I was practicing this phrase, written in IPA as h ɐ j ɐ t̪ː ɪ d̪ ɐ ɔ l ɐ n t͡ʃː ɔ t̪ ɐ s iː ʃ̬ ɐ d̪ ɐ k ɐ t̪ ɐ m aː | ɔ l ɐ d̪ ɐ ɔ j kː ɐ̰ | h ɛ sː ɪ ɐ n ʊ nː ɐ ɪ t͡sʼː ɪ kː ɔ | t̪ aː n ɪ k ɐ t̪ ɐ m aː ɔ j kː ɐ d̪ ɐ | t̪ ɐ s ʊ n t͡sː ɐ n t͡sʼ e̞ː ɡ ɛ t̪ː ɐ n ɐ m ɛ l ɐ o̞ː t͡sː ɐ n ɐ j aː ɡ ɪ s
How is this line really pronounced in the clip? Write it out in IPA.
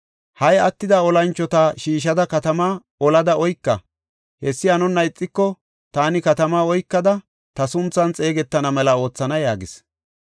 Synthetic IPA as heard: h ɐ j ɐ t̪ː ɪ d̪ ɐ ɔ l ɐ n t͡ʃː ɔ t̪ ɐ ʃ iː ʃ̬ ɐ d̪ ɐ k ɐ t̪ ɐ m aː | ɔ l ɐ d̪ ɐ ɔ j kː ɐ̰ | h ɛ sː ɪ ɐ n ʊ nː ɐ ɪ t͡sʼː ɪ kː ɔ | t̪ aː n ɪ k ɐ t̪ ɐ m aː ɔ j kː ɐ d̪ ɐ | t̪ ɐ s ʊ n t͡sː ɐ n t͡sʼ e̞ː ɡ ɛ t̪ː ɐ n ɐ m ɛ l ɐ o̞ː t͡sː ɐ n ɐ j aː ɡ ɪ s

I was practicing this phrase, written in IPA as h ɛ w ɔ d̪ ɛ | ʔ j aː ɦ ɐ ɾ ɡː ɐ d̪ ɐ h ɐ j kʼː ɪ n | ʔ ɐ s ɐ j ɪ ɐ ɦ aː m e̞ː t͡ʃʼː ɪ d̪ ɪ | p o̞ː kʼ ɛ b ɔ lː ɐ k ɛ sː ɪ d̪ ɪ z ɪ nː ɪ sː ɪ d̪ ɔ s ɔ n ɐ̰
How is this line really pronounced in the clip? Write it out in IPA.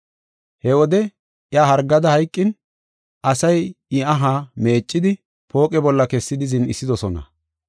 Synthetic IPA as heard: h ɛ w ɔ d̪ ɛ | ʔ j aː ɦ ɐ ɾ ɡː ɐ d̪ ɐ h ɐ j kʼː ɪ n | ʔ ɐ s ɐ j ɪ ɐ ɦ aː m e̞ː t͡ʃʼː ɪ d̪ ɪ | p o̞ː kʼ ɛ b ɔ lː ɐ k ɛ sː ɪ d̪ ɪ z ɪ n ɪ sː ɪ d̪ ɔ s ɔ n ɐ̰

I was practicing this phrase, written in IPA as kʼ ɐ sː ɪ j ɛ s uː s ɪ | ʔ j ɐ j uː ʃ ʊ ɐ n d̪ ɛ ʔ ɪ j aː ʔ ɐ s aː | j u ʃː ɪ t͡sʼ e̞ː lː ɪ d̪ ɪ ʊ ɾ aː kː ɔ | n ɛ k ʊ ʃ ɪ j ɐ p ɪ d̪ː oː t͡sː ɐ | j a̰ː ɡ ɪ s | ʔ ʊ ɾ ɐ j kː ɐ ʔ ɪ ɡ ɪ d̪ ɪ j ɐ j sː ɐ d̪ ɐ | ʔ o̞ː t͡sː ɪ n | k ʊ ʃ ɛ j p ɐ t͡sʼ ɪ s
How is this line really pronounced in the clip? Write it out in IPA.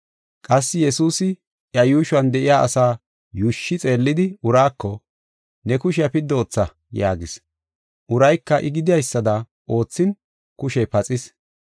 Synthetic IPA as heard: kʼ ɐ sː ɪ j ɛ s uː s ɪ | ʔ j ɐ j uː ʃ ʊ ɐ n d̪ ɛ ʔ ɪ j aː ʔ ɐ s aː | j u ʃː ɪ t͡sʼ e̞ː lː ɪ d̪ ɪ ʊ ɾ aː kː ɔ | n ɛ k ʊ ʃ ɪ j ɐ p ɪ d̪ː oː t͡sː ɐ | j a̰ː ɡ ɪ s | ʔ ʊ ɾ ɐ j kː ɐ ʔ ɪ ɡ ɪ d̪ ɪ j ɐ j sː ɐ d̪ ɐ | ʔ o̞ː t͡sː ɪ n | k ʊ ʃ ɛ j p ɐ t͡sʼ ɪ s

